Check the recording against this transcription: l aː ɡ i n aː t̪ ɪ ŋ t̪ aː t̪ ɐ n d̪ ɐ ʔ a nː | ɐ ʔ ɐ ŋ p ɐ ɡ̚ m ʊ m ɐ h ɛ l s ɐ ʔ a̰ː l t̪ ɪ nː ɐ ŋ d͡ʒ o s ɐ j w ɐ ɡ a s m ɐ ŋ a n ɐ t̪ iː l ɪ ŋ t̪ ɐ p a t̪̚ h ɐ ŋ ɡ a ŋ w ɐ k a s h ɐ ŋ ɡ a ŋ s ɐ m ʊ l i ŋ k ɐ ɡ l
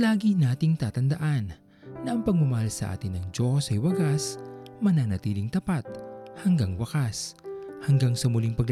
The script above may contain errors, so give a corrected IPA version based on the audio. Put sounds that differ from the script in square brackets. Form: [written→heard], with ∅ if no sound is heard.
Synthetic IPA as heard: l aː ɡ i n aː t̪ ɪ ŋ t̪ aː t̪ ɐ n d̪ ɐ ʔ a nː | ɐ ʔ ɐ ŋ p ɐ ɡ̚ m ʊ m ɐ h [ɛ→a] l s ɐ ʔ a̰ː [l→∅] t̪ ɪ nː ɐ ŋ d͡ʒ o s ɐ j w ɐ ɡ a s m ɐ [ŋ→n] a n ɐ t̪ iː l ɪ ŋ t̪ ɐ p a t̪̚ h ɐ ŋ ɡ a ŋ w ɐ k a s h ɐ ŋ ɡ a ŋ s ɐ m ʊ l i ŋ [k→p] ɐ ɡ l